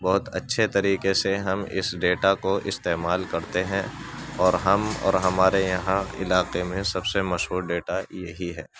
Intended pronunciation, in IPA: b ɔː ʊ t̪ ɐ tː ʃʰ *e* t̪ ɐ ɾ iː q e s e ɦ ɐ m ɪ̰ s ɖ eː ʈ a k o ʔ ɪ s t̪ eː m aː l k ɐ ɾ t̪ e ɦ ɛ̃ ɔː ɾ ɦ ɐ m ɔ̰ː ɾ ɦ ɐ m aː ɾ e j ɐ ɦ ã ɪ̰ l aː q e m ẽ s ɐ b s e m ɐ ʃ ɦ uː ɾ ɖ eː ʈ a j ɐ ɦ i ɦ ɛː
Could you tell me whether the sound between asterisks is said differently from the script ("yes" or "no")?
no